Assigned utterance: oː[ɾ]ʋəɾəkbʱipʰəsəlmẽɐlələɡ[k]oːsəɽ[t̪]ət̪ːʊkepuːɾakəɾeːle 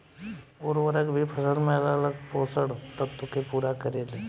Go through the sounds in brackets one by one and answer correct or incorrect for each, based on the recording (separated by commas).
correct, incorrect, correct